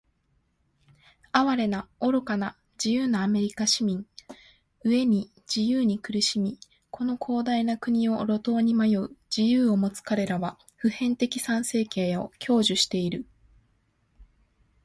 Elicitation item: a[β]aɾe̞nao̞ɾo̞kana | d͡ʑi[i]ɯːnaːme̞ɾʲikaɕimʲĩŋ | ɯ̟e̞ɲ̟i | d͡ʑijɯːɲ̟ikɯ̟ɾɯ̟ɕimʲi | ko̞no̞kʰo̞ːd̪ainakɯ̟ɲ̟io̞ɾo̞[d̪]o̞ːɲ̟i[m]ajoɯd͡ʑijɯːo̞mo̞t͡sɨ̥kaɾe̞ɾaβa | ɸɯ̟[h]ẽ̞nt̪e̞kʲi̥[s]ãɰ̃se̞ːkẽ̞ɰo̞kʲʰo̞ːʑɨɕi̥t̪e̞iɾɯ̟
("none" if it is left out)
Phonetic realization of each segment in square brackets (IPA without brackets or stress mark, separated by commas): β, j, t̪, m, h, s